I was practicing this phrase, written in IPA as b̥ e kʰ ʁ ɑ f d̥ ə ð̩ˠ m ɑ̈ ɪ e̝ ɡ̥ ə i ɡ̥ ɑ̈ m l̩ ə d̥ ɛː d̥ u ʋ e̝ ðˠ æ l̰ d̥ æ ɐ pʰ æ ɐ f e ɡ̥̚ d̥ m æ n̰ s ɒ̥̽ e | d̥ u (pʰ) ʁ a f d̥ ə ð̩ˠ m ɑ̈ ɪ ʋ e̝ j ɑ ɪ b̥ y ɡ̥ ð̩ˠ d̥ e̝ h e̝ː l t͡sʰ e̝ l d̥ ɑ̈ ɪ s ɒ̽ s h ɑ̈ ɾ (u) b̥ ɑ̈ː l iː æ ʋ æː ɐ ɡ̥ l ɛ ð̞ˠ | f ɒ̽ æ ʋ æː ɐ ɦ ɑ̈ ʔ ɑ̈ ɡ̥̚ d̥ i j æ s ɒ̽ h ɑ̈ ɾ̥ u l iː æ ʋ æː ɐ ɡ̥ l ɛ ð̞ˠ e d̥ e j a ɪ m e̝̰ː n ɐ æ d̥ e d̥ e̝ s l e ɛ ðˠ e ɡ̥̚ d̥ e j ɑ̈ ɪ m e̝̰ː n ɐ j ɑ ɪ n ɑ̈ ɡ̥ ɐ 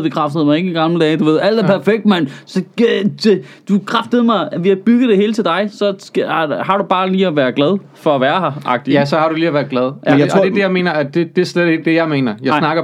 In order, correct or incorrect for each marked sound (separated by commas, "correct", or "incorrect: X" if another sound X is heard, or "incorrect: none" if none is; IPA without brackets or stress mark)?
incorrect: kʰ, correct